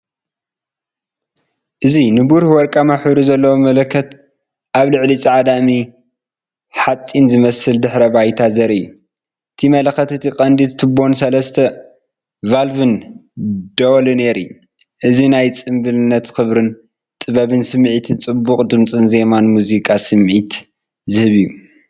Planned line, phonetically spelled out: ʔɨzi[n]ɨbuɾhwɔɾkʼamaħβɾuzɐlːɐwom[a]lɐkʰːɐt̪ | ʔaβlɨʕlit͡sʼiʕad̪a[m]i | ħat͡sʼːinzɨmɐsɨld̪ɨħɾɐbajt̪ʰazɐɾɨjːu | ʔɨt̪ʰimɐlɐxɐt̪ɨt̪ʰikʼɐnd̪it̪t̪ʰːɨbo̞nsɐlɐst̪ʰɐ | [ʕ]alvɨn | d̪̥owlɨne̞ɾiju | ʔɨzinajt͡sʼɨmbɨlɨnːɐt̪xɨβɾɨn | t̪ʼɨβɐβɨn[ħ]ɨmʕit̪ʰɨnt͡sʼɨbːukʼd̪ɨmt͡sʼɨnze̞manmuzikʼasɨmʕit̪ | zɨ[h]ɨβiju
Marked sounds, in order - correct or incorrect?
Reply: correct, incorrect, correct, incorrect, incorrect, correct

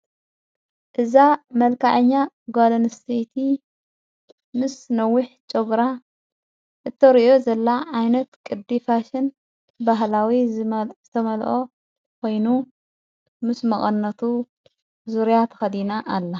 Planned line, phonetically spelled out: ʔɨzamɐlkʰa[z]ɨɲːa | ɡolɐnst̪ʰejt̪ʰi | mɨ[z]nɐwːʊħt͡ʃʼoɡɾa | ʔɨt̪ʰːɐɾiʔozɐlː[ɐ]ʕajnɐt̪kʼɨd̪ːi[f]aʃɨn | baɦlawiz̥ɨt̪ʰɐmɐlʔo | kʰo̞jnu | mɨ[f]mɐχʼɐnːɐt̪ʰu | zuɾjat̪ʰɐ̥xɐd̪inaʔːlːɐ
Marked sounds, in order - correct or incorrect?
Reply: incorrect, incorrect, incorrect, correct, incorrect

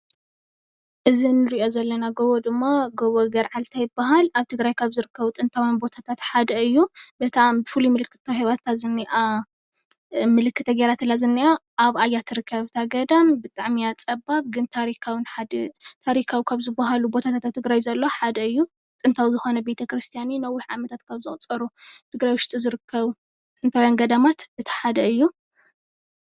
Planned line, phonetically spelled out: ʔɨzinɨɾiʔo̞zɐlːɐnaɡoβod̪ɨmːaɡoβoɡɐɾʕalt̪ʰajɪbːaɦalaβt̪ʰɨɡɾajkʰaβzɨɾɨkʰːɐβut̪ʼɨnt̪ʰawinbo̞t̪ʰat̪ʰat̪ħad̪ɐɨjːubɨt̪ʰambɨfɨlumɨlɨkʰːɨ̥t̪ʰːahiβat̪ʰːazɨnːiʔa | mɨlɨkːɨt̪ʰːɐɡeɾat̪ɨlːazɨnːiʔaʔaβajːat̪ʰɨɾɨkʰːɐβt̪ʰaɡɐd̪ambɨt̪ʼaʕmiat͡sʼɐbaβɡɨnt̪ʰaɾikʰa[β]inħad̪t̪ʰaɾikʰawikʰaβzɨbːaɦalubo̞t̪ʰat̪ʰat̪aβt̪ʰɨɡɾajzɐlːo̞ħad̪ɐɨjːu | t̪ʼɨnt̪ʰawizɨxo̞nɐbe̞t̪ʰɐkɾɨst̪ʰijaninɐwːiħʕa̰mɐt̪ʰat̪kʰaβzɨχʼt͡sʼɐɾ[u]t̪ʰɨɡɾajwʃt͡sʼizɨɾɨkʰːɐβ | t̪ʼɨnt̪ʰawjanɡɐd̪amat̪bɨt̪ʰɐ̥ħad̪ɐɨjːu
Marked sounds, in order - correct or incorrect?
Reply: incorrect, correct

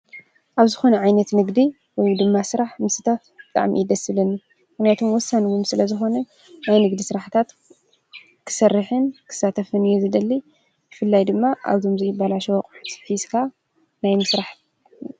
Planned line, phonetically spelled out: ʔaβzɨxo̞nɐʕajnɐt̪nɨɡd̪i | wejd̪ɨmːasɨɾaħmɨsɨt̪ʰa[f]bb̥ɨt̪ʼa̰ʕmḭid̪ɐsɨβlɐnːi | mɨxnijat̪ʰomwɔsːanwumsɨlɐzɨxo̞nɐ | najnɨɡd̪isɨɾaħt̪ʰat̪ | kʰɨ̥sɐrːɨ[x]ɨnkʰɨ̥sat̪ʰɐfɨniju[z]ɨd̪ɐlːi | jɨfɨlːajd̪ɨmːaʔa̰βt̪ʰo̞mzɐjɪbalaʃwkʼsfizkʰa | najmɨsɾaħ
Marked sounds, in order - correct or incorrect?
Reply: correct, incorrect, correct

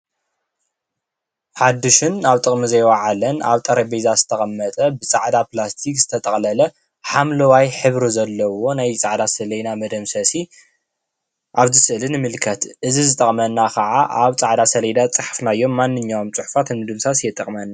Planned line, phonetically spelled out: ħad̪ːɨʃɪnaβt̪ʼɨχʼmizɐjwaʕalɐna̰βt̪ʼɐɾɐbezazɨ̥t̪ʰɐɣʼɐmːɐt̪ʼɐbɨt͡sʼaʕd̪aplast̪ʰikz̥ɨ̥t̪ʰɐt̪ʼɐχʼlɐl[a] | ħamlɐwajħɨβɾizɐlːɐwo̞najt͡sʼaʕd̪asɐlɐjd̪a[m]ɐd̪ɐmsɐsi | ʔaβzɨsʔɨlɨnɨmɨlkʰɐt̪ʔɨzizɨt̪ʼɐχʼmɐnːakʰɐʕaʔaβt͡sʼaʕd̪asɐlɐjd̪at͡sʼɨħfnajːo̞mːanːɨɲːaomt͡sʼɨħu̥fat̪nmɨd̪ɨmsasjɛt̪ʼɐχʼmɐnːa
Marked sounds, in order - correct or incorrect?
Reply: incorrect, correct

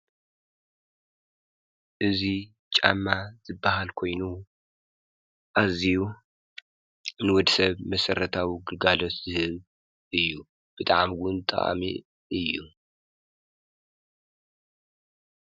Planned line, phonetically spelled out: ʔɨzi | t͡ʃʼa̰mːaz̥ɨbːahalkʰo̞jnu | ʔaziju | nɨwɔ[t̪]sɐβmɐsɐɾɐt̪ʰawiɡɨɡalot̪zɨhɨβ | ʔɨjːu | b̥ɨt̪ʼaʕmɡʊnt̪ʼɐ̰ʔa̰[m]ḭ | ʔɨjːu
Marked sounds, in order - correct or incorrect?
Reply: incorrect, correct

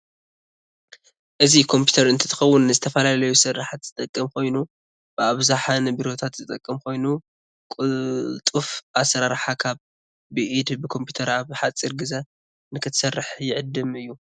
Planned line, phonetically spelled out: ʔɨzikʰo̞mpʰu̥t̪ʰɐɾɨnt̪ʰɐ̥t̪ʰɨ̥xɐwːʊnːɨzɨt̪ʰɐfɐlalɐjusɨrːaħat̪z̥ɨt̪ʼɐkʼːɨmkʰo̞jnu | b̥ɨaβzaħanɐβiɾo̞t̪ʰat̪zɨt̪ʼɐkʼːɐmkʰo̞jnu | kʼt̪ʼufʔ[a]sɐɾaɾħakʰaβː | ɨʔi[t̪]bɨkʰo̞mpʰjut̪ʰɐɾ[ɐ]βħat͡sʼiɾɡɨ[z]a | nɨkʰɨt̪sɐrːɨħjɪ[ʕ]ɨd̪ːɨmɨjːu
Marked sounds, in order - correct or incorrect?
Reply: correct, incorrect, incorrect, correct, correct

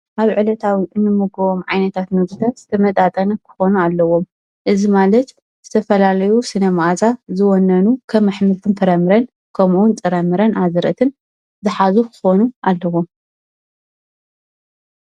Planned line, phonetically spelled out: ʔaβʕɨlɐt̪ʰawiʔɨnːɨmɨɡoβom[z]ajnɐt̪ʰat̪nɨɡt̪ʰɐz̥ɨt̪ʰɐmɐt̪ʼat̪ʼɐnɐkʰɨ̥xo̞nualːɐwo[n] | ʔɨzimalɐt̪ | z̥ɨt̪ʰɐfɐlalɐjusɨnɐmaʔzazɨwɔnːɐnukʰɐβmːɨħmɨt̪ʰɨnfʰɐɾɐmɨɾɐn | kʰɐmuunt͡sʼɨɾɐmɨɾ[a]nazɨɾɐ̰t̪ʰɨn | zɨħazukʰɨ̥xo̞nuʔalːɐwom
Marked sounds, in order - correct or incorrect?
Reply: incorrect, incorrect, incorrect

